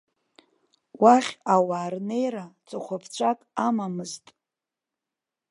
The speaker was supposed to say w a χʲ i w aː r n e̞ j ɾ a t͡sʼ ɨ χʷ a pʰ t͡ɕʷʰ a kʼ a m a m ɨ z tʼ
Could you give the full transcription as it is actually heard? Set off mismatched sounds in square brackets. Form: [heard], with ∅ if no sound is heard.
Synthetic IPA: w a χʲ [a] w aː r n e̞ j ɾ a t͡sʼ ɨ χʷ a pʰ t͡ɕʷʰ a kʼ a m a m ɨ z tʼ